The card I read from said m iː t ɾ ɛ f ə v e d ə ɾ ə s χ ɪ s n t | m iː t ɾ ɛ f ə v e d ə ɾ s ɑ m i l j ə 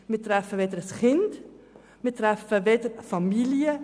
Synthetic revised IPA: m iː t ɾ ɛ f ə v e d ə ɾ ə s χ ɪ n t | m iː t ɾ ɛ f ə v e d ə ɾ f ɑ m i l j ə